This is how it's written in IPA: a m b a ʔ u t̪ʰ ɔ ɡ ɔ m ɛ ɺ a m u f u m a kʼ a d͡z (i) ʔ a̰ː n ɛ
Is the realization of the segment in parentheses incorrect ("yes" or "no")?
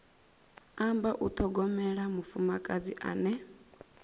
no